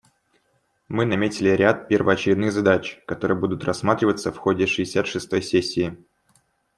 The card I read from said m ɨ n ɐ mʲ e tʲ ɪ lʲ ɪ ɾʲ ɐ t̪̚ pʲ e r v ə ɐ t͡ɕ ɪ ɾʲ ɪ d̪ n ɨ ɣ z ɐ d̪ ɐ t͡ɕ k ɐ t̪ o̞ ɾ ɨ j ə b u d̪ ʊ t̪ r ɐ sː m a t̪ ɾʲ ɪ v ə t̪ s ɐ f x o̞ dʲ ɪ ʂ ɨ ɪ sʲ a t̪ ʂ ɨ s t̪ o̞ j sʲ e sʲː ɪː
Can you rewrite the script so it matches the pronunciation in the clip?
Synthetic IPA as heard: m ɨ n ɐ mʲ e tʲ ɪ lʲ ɪ ɾʲ a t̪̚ pʲ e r v ə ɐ t͡ɕ ɪ ɾʲ ɪ d̪ n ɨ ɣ z ɐ d̪ a t͡ɕ k ɐ t̪ o̞ ɾ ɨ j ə b u d̪ ʊ t̪ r ɐ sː m a t̪ ɾʲ ɪ v ə t̪ s ə f x o̞ dʲ ɪ ʂ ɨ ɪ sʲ a t̪ ʂ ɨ s t̪ o̞ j sʲ e sʲː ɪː